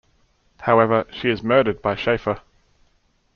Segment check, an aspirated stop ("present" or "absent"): absent